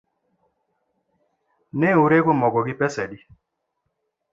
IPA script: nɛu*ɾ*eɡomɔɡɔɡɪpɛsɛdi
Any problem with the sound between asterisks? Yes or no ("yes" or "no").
no